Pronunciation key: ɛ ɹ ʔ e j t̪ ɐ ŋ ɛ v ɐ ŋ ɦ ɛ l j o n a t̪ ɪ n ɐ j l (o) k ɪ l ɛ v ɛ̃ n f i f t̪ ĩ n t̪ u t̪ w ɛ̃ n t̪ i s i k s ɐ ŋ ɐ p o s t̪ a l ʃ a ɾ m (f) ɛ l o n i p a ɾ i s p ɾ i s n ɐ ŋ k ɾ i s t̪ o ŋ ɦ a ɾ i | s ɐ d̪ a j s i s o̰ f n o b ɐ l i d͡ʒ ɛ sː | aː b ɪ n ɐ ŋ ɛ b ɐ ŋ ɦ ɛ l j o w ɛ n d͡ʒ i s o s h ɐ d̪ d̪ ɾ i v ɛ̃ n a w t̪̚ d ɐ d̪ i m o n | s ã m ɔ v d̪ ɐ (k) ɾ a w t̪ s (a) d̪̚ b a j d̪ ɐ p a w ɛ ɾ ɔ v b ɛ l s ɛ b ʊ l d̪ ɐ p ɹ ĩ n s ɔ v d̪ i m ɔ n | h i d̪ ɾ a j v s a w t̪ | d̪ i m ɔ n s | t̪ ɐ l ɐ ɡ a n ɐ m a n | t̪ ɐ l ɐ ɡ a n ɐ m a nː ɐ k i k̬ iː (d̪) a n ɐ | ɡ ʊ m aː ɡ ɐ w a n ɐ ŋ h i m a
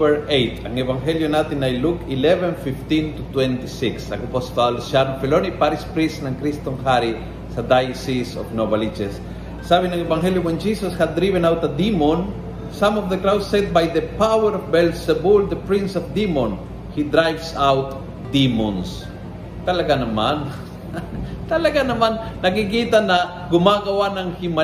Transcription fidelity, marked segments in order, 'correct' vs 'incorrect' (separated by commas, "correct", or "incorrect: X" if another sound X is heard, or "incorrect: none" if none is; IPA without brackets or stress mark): incorrect: u, correct, correct, incorrect: ɛ, incorrect: t̪